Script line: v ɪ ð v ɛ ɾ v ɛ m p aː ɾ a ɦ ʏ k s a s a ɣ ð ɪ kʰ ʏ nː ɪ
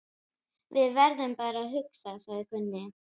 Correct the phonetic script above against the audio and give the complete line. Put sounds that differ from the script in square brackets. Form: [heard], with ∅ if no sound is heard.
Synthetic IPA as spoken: v ɪ ð v ɛ ɾ [ð] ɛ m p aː ɾ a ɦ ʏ k s a s a ɣ ð ɪ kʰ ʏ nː ɪ